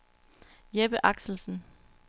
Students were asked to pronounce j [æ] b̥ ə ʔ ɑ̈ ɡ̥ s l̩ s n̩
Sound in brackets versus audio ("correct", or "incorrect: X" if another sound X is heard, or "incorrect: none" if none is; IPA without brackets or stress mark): incorrect: e